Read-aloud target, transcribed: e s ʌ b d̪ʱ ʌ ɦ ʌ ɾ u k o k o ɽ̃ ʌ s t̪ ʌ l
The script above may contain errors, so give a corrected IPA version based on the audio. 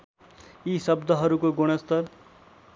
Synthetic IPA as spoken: i s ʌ b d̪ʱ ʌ ɦ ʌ ɾ u k o ɡ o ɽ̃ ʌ s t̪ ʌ ɾ